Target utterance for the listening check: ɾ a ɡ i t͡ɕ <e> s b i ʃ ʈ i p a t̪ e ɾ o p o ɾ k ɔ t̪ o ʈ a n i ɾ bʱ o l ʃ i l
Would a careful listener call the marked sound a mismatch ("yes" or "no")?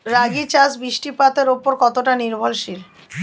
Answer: yes